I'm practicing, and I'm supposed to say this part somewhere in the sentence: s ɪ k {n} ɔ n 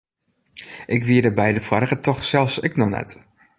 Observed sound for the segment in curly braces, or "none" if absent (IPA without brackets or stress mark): n